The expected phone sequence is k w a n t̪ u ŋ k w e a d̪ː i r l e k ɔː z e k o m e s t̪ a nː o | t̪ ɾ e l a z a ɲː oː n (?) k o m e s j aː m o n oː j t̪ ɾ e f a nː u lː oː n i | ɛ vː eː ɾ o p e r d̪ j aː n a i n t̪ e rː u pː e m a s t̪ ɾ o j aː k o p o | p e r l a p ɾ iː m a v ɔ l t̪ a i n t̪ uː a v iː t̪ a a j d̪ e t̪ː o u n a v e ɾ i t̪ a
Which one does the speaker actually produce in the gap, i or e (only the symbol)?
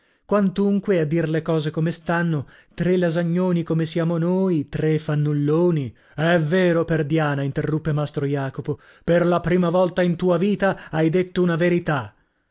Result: i